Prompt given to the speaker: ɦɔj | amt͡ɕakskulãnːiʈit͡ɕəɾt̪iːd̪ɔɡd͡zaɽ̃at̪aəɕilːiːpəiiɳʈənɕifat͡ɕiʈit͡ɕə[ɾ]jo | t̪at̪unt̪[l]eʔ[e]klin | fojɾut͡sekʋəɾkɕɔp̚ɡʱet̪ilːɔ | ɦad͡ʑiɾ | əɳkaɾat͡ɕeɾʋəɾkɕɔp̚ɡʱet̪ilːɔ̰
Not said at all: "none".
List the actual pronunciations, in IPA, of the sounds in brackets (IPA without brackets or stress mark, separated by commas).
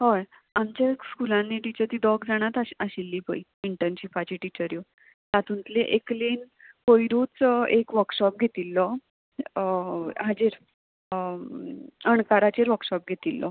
ɾ, l, e